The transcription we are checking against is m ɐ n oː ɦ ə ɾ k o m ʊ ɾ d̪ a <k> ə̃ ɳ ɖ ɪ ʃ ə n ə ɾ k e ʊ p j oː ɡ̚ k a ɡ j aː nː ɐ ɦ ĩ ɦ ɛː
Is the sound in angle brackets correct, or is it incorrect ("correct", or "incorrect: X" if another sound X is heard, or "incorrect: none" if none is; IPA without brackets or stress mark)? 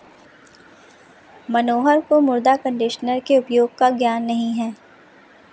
correct